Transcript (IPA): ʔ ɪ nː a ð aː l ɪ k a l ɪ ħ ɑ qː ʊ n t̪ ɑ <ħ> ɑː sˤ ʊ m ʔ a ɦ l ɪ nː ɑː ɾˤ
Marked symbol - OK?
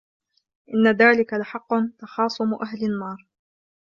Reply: no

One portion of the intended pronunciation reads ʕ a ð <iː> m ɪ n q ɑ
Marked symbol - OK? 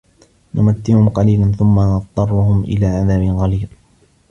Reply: no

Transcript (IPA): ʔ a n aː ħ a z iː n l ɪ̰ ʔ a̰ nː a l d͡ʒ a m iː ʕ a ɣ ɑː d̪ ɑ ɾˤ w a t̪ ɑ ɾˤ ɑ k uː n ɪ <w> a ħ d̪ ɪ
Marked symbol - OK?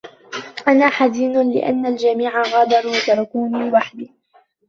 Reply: yes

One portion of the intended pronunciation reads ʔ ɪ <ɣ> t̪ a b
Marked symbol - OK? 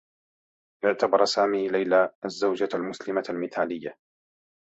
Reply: no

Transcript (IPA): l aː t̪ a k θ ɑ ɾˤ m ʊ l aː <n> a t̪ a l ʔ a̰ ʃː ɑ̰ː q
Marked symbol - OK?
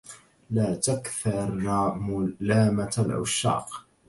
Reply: no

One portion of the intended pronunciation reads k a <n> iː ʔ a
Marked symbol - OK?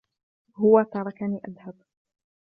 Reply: yes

